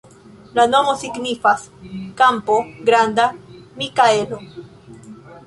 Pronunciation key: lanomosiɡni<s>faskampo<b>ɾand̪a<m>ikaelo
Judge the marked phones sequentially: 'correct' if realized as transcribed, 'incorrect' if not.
incorrect: none, incorrect: ɡ, correct

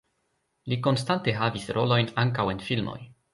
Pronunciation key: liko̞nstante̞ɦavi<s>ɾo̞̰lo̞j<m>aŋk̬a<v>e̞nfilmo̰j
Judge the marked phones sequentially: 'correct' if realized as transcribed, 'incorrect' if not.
correct, incorrect: n, incorrect: w

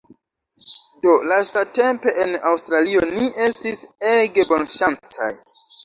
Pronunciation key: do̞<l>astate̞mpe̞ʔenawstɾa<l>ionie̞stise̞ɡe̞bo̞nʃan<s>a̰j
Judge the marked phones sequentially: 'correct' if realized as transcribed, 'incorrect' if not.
correct, correct, incorrect: t͡s

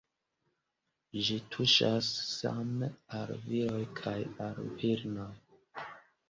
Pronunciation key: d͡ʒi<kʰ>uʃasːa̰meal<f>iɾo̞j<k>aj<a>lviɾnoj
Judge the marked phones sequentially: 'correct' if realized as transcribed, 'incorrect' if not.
incorrect: tʰ, incorrect: v, incorrect: kʰ, correct

